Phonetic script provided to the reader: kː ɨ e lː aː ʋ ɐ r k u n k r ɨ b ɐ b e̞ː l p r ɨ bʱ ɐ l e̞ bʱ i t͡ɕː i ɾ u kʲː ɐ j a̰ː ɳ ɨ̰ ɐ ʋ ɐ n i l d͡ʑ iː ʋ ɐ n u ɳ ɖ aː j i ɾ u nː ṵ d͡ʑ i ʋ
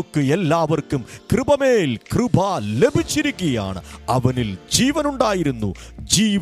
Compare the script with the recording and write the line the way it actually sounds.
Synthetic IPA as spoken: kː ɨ e lː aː ʋ ɐ r k u m k r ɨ b ɐ m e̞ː l k r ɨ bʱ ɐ l e̞ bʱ i t͡ɕː i ɾ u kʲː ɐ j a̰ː ɳ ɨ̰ ɐ ʋ ɐ n i l d͡ʑ iː ʋ ɐ n u ɳ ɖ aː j i ɾ u nː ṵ d͡ʑ iː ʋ